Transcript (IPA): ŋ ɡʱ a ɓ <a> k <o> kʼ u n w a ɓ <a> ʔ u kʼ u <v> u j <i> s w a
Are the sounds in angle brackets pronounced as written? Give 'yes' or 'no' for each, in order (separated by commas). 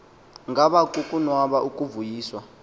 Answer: yes, no, yes, yes, no